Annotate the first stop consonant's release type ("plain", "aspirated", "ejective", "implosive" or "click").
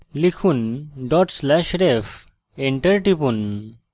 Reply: aspirated